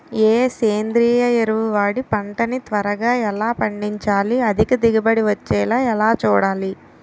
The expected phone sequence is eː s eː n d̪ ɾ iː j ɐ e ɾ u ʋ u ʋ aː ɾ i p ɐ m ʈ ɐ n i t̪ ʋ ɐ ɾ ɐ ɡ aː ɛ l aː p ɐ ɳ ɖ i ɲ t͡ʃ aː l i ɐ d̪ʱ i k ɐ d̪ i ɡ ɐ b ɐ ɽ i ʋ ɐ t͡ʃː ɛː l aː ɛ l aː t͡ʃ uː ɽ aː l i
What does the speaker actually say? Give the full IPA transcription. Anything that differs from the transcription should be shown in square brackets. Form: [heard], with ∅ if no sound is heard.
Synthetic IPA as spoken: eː s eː n d̪ ɾ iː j ɐ e ɾ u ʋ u ʋ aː [ɽ] i p ɐ [ɳ] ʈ ɐ n i t̪ ʋ ɐ ɾ ɐ ɡ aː ɛ l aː p ɐ ɳ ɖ i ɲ t͡ʃ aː l i ɐ d̪ʱ i k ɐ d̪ i ɡ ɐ b ɐ ɽ i ʋ ɐ t͡ʃː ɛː l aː ɛ l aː t͡ʃ uː ɽ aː l i